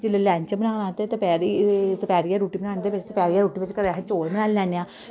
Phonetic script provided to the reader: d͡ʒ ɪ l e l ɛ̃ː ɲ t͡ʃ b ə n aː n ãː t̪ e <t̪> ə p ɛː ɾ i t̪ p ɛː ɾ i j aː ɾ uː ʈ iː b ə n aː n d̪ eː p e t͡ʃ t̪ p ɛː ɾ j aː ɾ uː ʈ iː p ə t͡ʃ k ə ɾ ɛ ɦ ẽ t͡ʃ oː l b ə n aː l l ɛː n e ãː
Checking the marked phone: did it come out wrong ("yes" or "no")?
no